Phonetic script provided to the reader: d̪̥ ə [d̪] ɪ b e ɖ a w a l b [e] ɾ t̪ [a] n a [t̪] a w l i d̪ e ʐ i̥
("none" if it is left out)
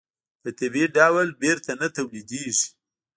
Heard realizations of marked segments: t̪, e, a, t̪

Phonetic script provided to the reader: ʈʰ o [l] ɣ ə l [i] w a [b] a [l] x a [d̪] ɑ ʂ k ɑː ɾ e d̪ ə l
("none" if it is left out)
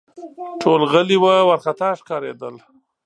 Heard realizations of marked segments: l, i, w, ɾ, t̪

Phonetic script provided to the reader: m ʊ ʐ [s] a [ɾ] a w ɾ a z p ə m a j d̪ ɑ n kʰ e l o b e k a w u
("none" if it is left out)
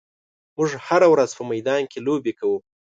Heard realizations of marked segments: h, ɾ

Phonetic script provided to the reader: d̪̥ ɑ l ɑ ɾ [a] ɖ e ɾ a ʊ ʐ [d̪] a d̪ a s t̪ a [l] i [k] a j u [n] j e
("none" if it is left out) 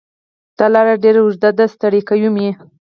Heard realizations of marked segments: a, d̪, ɽ, k, m

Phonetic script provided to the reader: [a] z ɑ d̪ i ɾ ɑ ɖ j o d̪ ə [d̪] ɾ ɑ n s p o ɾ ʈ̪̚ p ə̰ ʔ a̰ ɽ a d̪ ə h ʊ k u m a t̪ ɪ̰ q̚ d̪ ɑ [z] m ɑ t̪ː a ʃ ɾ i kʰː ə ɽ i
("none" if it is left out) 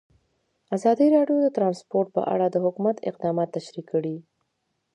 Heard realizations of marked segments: a, t̪, none

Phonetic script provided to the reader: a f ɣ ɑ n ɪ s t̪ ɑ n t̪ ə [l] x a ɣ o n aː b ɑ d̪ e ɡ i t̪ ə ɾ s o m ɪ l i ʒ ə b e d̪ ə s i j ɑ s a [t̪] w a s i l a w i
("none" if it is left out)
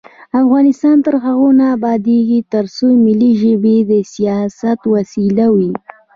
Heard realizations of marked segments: ɾ, t̪

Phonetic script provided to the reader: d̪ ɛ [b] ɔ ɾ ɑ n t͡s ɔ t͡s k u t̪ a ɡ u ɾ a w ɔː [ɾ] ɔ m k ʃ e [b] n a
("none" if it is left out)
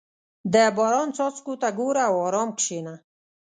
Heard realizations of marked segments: b, ɾ, none

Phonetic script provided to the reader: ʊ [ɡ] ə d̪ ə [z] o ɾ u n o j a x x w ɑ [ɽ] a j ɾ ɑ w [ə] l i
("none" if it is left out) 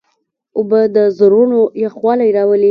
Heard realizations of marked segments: b, z, l, ə

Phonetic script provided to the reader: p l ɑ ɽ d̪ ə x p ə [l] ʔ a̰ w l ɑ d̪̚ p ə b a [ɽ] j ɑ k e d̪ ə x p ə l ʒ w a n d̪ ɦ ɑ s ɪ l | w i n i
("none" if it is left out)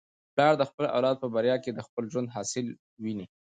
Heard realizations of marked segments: l, ɾ

